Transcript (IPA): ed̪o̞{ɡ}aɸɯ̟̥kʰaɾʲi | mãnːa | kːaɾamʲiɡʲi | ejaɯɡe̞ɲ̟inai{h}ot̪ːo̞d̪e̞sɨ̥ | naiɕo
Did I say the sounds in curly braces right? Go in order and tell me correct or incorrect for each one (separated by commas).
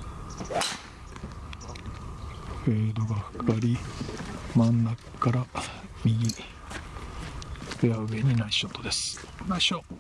correct, incorrect